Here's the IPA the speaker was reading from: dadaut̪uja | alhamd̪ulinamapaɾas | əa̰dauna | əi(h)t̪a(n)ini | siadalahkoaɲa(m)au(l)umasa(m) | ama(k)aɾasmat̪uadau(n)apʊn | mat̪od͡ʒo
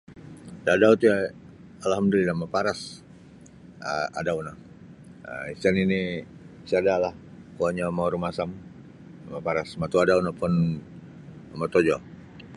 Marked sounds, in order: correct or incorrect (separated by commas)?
incorrect, correct, correct, incorrect, correct, incorrect, correct